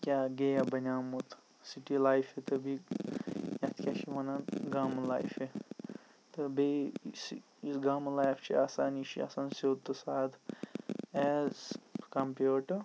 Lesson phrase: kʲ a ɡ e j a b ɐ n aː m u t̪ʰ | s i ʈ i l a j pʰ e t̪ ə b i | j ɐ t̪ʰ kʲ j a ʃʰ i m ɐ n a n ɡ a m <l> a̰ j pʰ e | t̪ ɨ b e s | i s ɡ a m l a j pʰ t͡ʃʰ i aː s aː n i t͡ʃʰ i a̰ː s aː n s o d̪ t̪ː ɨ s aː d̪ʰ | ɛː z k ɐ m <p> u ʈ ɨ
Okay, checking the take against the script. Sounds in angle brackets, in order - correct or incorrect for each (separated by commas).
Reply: correct, correct